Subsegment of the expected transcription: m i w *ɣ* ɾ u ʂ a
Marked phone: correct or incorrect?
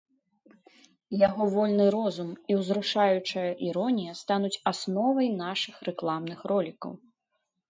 incorrect